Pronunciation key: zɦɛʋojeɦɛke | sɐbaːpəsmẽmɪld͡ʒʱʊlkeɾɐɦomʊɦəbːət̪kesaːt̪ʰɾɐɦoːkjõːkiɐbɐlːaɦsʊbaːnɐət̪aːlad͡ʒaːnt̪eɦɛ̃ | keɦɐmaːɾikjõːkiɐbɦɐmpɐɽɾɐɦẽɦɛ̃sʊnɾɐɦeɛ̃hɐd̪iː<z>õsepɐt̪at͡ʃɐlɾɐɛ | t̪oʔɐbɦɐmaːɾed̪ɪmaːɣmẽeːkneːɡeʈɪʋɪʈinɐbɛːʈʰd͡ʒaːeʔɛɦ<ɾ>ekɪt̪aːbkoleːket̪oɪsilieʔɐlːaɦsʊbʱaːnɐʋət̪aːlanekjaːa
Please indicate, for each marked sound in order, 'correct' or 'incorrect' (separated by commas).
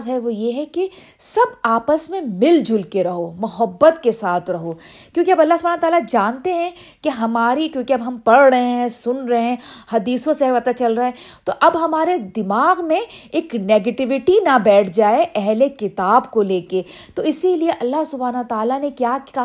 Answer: incorrect, incorrect